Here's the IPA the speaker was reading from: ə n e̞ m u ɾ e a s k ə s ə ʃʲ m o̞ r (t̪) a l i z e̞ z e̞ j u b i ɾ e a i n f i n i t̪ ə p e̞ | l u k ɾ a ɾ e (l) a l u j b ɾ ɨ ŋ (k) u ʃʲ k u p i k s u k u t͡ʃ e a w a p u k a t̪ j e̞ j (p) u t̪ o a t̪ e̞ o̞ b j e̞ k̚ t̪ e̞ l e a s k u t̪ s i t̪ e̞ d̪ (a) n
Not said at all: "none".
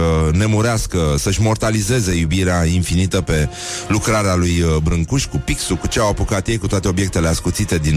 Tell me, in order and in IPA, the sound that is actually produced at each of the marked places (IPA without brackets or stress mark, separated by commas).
t̪, none, k, k, i